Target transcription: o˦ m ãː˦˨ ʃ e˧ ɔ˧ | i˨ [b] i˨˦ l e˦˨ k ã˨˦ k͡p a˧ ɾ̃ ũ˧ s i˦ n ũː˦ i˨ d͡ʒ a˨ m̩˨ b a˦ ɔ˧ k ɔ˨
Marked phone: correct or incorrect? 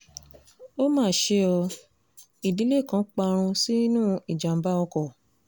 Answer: incorrect